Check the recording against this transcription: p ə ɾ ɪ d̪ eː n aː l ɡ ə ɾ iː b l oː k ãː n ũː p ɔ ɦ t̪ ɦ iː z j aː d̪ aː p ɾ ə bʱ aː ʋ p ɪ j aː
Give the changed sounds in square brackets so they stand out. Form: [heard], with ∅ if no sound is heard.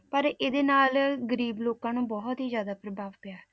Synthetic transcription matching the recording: p ə ɾ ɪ d̪ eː n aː l ɡ ə ɾ iː b l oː k ãː n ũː [b] ɔ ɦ t̪ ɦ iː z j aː d̪ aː p ɾ ə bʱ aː ʋ p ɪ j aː